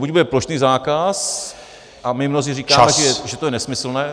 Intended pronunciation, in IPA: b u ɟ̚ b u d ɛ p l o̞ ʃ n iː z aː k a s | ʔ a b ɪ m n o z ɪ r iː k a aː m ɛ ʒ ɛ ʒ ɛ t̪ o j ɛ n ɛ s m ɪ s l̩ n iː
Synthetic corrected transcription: b u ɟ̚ b u d ɛ p l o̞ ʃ n iː z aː k a s | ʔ a m ɪ m n o z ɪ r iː k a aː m ɛ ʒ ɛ ʒ ɛ t̪ o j ɛ n ɛ s m ɪ s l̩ n ɛː